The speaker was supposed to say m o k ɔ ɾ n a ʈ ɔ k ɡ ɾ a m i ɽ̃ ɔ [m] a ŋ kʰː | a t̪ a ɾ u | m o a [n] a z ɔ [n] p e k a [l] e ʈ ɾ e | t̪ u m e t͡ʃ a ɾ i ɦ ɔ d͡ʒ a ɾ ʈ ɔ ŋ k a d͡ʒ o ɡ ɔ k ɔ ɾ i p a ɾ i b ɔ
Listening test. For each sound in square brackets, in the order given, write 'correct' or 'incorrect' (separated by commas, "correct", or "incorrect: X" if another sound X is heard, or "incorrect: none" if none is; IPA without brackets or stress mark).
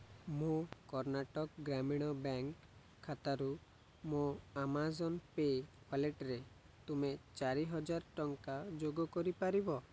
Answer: incorrect: b, incorrect: m, correct, correct